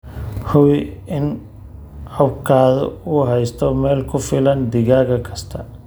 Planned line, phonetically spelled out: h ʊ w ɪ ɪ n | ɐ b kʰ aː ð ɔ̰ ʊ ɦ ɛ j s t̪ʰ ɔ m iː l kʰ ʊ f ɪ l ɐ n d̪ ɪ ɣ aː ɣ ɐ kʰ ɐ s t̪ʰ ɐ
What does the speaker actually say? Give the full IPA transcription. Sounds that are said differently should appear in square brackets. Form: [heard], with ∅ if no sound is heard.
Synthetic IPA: h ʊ w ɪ ɪ n | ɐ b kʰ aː ð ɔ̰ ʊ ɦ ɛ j s t̪ʰ ɔ m [ɛː] l kʰ ʊ f ɪ l ɐ n d̪ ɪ ɣ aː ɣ ɐ kʰ ɐ s t̪ʰ ɐ